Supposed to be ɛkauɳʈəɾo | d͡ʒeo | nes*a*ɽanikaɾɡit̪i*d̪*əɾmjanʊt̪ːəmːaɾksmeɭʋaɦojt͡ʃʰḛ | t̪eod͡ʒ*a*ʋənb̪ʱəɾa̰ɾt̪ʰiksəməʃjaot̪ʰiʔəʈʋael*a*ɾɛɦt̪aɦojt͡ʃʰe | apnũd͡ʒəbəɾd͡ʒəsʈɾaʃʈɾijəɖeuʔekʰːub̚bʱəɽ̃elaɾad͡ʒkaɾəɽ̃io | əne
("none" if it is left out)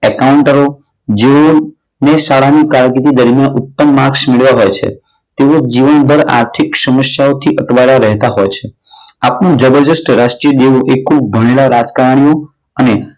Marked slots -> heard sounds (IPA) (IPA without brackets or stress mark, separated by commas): a, d̪, i, a